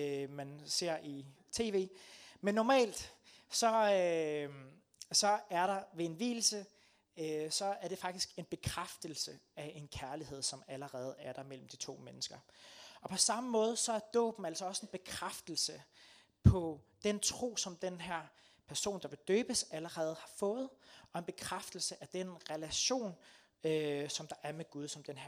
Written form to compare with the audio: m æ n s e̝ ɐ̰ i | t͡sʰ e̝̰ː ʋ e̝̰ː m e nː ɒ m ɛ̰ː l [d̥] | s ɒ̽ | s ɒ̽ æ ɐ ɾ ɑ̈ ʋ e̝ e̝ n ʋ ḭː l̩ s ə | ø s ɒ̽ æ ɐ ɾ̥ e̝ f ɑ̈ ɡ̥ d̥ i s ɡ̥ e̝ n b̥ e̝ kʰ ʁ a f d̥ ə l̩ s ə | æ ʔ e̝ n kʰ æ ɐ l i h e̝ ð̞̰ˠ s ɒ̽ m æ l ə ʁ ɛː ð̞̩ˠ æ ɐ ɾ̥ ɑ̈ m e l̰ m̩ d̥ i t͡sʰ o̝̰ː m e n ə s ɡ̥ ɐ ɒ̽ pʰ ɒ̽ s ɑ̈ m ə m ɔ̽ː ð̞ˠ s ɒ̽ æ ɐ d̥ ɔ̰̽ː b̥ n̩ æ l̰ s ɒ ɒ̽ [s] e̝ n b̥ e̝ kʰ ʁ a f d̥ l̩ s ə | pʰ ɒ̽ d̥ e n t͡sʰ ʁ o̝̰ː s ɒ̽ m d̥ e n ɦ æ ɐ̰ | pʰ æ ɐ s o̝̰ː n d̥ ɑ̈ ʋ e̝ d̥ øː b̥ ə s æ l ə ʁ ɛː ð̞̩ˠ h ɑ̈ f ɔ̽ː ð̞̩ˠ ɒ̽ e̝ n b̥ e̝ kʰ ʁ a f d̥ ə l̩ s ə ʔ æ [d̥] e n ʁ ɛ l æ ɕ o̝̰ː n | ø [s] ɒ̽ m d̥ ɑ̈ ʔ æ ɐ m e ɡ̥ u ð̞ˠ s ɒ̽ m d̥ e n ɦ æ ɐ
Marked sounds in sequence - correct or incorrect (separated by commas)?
correct, correct, correct, correct